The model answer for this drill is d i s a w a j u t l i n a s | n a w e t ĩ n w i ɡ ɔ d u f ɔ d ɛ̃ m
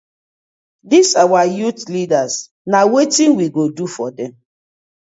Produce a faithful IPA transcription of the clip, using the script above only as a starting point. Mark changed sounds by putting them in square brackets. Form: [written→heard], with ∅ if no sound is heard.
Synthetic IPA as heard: d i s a w a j u t l i [n→d] a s | n a w e t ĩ n w i ɡ [ɔ→o] d u f ɔ d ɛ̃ m